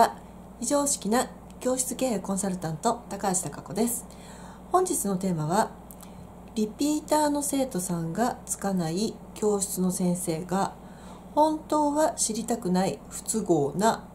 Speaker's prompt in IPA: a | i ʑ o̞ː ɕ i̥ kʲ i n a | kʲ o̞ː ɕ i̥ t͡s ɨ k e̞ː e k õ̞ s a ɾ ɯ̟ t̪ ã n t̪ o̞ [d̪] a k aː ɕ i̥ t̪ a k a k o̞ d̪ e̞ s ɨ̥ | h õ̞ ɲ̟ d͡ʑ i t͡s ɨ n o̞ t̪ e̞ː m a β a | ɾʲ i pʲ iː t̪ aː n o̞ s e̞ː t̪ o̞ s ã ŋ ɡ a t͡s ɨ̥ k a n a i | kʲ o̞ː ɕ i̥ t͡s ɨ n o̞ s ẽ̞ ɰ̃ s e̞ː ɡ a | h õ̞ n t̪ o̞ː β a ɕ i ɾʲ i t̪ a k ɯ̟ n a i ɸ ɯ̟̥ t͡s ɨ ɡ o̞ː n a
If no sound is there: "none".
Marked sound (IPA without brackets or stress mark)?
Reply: t̪